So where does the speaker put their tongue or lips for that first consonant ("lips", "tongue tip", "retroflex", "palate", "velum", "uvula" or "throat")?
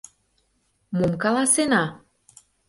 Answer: lips